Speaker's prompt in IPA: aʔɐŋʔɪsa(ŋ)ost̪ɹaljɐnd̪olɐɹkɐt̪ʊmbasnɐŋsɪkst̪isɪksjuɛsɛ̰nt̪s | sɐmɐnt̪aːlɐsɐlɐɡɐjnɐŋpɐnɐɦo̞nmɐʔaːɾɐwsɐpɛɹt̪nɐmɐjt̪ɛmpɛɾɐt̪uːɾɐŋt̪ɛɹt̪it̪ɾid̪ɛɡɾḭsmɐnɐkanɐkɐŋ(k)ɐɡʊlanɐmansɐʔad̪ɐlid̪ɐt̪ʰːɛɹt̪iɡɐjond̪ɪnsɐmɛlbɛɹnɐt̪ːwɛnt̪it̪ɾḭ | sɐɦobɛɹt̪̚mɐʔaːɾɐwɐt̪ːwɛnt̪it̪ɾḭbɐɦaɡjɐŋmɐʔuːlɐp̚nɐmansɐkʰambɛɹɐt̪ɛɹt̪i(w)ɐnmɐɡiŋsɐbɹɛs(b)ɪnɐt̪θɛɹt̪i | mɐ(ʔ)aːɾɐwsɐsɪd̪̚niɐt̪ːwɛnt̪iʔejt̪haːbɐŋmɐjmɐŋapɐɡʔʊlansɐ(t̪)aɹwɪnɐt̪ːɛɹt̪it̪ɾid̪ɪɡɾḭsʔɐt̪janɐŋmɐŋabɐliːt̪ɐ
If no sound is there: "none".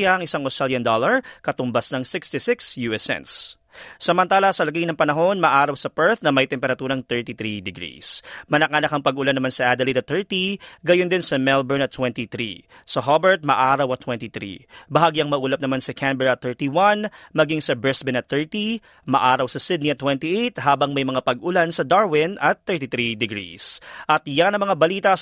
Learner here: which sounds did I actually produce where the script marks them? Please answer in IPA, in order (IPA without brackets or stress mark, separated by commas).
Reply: ŋ, p, w, b, ʔ, d̪